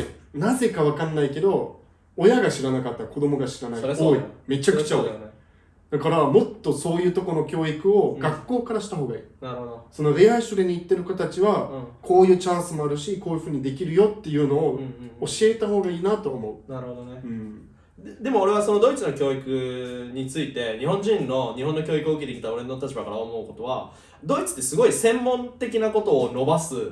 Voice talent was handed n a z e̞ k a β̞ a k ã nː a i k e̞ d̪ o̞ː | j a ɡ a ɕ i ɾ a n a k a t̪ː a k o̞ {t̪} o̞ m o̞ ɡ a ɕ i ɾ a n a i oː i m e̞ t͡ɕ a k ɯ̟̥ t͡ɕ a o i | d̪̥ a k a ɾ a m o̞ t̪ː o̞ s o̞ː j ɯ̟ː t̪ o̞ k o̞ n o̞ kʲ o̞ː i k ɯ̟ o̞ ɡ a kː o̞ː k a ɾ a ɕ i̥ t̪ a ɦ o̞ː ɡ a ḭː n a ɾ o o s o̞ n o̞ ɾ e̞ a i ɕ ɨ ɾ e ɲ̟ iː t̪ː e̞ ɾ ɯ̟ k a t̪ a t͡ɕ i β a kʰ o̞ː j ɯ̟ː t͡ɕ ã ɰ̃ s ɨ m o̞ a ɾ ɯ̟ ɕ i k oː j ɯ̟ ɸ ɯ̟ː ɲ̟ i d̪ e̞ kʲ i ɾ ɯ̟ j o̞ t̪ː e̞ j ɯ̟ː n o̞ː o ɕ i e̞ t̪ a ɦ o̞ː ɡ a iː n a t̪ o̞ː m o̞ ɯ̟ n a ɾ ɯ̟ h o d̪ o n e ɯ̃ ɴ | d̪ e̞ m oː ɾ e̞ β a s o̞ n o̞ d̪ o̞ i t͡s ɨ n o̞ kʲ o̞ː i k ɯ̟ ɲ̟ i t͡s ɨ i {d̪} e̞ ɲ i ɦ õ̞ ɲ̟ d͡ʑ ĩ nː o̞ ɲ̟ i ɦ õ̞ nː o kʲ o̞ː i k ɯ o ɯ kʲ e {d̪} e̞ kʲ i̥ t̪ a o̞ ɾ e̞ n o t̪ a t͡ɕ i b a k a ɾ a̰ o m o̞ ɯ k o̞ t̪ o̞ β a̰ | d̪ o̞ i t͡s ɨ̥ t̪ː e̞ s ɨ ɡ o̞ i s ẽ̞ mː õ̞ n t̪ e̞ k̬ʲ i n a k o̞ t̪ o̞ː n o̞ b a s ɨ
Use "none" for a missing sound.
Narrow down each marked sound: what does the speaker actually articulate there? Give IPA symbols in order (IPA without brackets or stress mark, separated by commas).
d̪, t̪, t̪